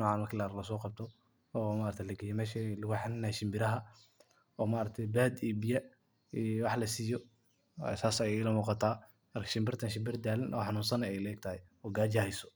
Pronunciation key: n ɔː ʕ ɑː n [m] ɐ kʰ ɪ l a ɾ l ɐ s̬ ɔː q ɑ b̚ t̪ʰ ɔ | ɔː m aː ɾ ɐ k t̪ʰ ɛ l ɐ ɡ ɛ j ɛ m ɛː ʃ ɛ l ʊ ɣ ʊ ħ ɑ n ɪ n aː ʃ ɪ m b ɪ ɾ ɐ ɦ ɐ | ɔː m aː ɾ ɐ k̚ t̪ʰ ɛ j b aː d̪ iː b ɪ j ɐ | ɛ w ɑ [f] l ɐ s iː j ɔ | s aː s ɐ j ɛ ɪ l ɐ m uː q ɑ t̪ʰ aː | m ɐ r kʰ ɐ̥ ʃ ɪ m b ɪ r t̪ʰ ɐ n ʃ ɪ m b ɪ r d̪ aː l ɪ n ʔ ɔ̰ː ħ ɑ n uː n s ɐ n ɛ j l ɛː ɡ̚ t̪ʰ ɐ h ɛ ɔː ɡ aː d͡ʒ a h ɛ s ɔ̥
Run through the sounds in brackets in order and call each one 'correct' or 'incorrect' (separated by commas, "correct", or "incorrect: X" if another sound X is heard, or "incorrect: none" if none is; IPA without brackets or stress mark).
correct, incorrect: ħ